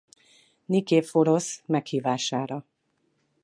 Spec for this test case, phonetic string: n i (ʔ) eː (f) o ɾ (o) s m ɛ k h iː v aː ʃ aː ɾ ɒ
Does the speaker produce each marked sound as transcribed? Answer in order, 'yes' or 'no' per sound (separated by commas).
no, yes, yes